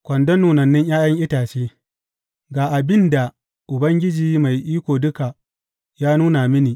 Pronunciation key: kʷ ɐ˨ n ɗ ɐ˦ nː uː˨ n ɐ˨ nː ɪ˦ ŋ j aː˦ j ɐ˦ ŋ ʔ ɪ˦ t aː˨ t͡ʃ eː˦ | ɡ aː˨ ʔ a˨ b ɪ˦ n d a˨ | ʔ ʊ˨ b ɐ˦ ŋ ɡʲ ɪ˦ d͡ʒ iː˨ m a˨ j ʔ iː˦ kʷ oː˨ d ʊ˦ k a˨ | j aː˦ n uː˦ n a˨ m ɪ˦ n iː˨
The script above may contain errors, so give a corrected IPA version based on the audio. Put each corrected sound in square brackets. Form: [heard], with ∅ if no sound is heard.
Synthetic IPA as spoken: kʷ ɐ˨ n [d] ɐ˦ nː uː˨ n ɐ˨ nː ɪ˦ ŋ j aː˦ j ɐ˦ ŋ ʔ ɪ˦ t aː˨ t͡ʃ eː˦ | ɡ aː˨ ʔ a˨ b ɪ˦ n d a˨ | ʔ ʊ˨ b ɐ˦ ŋ ɡʲ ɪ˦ d͡ʒ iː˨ m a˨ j ʔ iː˦ kʷ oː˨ d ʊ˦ k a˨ | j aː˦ n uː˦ n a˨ m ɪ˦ n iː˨